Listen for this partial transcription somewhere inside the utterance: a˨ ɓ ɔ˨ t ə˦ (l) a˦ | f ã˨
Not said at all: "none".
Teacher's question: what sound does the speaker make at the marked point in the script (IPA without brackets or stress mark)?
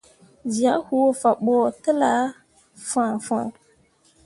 l